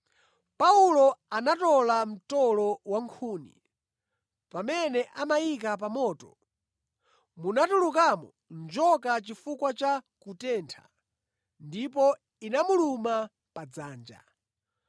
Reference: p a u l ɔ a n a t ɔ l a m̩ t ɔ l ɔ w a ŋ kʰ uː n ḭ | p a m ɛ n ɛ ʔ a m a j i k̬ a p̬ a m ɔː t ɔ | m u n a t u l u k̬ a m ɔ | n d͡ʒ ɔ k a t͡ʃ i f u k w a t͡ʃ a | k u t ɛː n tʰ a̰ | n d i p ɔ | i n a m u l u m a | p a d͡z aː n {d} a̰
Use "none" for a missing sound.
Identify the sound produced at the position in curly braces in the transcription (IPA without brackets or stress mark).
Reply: d͡ʒ